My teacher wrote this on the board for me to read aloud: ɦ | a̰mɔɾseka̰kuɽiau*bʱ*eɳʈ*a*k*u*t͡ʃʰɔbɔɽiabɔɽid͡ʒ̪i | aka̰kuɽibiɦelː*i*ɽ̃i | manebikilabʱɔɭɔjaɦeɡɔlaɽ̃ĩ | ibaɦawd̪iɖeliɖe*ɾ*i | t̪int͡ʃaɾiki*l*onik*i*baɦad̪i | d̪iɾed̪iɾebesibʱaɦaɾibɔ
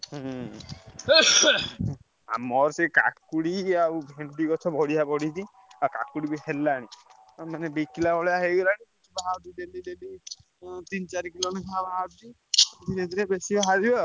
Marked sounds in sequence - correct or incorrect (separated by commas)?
correct, incorrect, incorrect, incorrect, incorrect, correct, incorrect